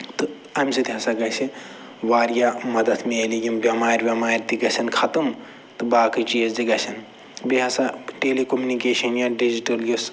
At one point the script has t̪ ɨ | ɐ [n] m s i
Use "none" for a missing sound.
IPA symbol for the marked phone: none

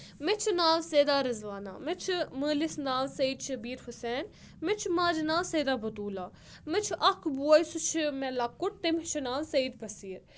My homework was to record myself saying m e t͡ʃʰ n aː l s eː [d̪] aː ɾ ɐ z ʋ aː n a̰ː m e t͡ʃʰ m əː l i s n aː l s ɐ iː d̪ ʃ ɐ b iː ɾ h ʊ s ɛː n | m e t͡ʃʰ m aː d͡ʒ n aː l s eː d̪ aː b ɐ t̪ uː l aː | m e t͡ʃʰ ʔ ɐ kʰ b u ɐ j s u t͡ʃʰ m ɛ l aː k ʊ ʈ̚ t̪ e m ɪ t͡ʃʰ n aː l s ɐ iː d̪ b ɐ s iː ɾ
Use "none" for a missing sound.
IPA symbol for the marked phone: d̪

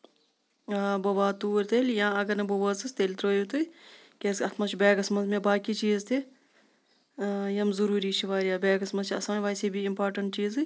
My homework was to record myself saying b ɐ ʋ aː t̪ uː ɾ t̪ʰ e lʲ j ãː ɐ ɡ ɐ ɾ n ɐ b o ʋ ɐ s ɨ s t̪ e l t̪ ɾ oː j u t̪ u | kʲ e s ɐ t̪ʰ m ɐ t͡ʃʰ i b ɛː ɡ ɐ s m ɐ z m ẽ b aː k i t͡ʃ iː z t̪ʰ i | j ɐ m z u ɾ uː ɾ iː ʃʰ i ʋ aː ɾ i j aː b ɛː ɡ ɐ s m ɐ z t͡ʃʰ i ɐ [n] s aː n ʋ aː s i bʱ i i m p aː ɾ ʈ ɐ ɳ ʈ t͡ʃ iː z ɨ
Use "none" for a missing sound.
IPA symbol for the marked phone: none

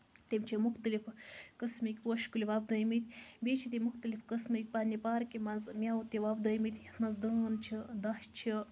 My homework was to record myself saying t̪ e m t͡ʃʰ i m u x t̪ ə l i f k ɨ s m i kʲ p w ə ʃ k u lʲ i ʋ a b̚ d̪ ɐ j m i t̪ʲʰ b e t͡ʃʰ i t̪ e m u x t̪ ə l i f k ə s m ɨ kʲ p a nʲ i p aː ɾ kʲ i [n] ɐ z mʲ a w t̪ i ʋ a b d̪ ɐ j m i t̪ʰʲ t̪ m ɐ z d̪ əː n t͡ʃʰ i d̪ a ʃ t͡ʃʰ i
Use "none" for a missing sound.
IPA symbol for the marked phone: m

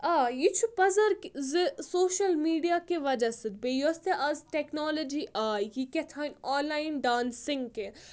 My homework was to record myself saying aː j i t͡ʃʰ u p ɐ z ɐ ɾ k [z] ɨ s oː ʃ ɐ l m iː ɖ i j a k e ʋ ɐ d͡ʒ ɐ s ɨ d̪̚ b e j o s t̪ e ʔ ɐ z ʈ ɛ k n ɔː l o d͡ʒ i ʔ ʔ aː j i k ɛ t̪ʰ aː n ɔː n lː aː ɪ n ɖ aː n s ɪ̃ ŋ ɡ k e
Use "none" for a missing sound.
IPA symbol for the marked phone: z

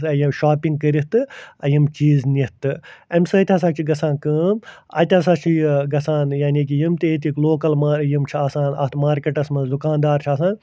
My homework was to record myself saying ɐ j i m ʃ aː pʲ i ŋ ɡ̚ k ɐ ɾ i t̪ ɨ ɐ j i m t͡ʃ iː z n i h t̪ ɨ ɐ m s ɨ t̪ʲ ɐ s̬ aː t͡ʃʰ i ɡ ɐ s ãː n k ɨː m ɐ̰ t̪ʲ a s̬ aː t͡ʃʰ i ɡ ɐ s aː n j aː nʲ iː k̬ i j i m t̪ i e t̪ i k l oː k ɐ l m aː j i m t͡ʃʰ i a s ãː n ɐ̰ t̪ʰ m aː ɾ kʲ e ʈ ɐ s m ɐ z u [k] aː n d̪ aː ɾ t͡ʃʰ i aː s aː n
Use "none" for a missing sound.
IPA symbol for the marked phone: k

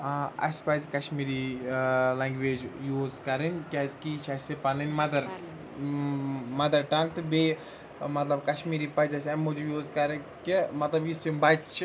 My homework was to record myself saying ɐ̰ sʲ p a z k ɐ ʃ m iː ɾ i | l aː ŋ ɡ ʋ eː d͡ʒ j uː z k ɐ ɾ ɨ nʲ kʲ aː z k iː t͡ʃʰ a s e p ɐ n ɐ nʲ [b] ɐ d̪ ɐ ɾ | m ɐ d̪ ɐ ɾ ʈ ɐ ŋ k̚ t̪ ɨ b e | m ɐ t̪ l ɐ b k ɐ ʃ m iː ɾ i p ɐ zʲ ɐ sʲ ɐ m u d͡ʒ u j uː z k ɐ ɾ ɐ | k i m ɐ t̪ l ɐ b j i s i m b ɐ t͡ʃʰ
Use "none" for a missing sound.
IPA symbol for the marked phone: m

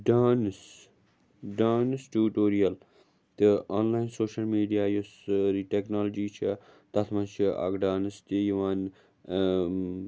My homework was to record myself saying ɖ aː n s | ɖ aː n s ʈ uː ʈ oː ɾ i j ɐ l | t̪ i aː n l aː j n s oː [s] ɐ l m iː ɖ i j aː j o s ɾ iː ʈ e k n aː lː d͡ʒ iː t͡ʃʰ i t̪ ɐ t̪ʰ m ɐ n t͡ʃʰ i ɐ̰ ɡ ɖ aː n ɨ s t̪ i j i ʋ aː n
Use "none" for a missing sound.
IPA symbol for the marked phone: ʃ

